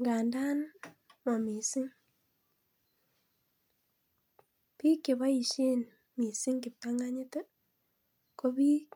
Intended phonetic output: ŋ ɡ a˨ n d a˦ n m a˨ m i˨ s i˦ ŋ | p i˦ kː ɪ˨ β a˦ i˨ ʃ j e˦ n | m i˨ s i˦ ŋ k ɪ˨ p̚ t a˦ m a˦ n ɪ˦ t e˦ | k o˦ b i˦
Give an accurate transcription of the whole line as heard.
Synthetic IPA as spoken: ŋ ɡ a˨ n d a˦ n m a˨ m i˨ s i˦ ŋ | p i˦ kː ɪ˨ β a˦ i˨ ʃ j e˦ n | m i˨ s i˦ ŋ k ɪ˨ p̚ t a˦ ŋ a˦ ɲ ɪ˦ t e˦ | k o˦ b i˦